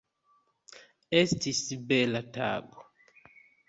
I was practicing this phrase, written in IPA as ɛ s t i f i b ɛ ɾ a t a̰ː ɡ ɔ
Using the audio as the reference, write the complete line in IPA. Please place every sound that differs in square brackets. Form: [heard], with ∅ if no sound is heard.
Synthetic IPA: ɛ s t i [s] i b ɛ [l] a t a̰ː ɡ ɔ